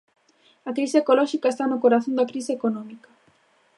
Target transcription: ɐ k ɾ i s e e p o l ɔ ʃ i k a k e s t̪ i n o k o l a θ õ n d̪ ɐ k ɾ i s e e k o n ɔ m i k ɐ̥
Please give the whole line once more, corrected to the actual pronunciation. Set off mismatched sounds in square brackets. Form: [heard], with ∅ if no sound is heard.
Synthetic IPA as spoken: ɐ k ɾ i s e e [k] o l ɔ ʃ i k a [∅] e s t̪ [a] n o k o [ɾ] a θ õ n d̪ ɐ k ɾ i s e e k o n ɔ m i k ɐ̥